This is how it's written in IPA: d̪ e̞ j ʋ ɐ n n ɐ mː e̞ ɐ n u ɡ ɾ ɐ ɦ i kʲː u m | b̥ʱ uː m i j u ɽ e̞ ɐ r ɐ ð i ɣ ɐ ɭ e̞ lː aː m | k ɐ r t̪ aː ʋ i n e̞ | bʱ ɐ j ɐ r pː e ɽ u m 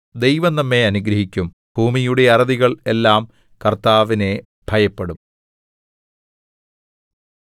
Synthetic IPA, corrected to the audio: d̪ e̞ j ʋ ɐ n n ɐ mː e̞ ɐ n u ɡ ɾ ɐ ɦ i kʲː u m | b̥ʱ uː m i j u ɽ e̞ ɐ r ɐ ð i ɣ ɐ ɭ e̞ lː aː m | k ɐ r t̪ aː ʋ i n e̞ | bʱ ɐ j ɐ pː e ɽ u m

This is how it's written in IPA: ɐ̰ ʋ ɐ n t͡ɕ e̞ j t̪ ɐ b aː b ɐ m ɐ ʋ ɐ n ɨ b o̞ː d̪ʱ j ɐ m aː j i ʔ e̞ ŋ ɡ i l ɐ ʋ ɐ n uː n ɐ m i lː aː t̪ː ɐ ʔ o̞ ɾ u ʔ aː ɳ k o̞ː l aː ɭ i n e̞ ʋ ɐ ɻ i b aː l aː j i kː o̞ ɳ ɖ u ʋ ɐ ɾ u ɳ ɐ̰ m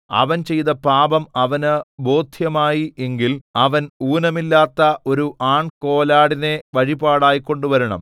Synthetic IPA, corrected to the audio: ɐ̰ ʋ ɐ n t͡ɕ e̞ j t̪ ɐ p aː b ɐ m ɐ ʋ ɐ n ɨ b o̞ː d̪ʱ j ɐ m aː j i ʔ e̞ ŋ ɡ i l ɐ ʋ ɐ n uː n ɐ m i lː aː t̪ː ɐ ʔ o̞ ɾ u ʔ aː ɳ k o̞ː l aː ɽ i n e̞ ʋ ɐ ɻ i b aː ɽ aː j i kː o̞ ɳ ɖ u ʋ ɐ ɾ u ɳ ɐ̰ m

